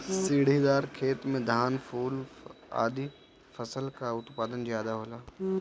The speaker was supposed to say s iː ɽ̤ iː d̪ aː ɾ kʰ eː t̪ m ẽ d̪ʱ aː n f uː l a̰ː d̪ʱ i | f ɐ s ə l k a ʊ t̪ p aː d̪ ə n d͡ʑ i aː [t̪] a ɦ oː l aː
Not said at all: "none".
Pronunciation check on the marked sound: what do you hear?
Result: d̪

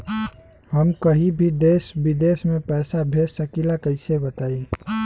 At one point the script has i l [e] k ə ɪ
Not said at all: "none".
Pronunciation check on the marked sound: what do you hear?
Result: a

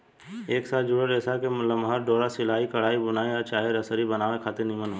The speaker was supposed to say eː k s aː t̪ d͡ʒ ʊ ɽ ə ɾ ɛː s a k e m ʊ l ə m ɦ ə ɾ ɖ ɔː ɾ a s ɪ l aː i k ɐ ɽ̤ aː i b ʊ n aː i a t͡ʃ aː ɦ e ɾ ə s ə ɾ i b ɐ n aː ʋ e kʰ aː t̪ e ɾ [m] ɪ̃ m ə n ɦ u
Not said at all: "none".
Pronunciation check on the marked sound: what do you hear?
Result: n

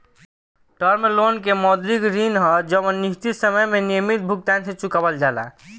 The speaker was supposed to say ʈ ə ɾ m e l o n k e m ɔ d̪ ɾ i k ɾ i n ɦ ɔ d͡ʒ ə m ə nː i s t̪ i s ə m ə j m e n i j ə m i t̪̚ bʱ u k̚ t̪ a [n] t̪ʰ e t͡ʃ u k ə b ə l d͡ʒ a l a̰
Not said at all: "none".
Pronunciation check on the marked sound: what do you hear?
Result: n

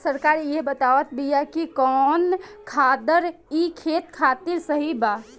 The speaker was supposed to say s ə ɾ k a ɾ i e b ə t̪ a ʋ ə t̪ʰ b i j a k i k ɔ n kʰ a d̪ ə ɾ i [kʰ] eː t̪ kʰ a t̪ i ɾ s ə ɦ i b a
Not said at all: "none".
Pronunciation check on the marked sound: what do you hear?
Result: kʰ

